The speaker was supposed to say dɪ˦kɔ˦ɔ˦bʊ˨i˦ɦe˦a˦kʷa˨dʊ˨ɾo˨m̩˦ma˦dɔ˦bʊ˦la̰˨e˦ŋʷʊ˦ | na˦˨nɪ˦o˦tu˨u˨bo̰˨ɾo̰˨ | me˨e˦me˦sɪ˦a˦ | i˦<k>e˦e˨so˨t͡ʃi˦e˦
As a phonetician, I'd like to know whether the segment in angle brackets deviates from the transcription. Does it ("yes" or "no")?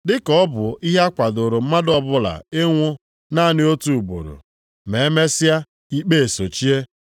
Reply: yes